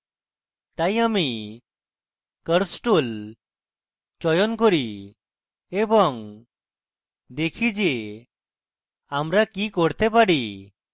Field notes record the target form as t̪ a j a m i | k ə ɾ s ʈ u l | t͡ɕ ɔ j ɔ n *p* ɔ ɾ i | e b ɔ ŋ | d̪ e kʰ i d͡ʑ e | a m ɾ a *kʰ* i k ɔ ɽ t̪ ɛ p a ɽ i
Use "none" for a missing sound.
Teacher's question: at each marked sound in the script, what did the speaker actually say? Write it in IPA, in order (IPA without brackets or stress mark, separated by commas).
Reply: k, k